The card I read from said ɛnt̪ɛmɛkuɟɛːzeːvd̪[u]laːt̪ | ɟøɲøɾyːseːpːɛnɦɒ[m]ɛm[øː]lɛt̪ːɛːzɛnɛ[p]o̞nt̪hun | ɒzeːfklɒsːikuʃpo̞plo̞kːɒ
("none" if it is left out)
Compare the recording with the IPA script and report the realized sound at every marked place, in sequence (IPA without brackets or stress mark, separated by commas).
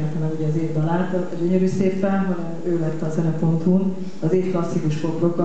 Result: ɒ, n, øː, p